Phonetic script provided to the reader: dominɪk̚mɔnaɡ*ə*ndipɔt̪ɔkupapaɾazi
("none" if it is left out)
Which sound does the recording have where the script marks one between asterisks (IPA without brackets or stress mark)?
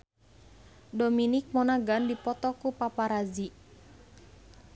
a